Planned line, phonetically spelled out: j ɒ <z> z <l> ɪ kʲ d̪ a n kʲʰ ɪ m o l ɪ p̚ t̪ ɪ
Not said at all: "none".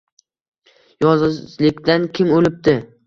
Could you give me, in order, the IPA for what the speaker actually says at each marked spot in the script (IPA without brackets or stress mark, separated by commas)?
z, l